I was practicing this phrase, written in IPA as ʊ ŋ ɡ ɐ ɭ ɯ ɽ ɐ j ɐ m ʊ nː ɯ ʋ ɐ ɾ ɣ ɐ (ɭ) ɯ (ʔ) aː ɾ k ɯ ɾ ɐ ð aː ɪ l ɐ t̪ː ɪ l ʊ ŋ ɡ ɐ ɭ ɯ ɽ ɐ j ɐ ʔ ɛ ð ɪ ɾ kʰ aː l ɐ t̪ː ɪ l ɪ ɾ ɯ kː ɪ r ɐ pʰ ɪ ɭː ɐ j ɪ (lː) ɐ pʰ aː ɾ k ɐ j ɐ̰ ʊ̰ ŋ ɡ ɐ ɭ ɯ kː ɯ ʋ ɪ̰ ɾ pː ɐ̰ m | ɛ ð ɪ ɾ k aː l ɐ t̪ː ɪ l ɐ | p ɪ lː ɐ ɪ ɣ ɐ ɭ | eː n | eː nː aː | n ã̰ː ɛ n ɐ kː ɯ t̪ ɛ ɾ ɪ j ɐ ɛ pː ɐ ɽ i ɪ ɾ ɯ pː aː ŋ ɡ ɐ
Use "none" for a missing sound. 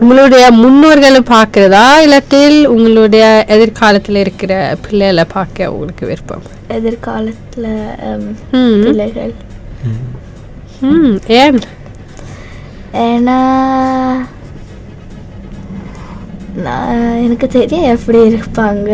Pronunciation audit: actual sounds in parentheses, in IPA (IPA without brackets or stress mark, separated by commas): ɭ, p, l